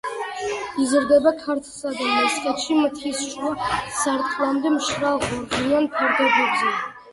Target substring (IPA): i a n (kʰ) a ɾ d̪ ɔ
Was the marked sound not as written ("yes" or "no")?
yes